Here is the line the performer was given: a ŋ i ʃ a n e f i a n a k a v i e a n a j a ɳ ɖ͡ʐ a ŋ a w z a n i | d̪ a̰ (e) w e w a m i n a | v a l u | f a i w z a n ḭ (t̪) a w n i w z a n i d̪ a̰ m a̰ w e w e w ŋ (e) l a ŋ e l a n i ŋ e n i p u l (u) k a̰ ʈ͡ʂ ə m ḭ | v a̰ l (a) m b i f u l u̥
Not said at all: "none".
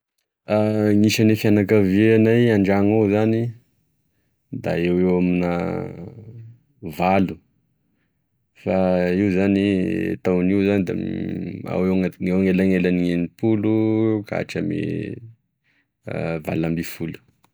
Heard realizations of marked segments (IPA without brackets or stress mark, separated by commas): e, t̪, e, u, a